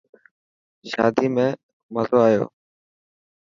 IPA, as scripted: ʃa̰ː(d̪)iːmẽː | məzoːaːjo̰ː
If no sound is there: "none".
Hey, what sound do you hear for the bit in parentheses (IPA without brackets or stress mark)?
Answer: d̪